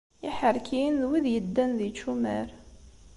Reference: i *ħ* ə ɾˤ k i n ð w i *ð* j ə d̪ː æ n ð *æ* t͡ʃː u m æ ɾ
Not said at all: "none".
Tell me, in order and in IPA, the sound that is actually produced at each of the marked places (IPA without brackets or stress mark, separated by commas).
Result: ħ, ð, i